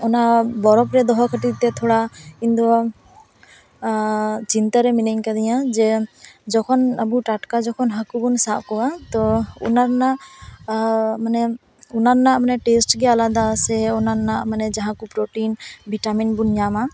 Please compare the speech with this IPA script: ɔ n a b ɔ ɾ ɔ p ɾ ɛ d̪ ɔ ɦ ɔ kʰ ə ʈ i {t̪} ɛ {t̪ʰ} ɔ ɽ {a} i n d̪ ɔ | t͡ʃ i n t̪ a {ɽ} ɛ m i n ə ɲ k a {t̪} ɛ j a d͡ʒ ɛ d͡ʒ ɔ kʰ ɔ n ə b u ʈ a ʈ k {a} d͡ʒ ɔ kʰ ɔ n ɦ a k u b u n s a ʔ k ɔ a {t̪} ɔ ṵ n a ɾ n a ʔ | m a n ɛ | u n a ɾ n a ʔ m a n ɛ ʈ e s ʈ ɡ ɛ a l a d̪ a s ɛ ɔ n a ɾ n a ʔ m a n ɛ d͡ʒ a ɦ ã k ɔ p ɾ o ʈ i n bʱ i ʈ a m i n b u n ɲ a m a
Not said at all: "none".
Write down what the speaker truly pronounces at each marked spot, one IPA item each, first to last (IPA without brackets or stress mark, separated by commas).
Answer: t̪, t̪ʰ, a, ɾ, d̪, a, t̪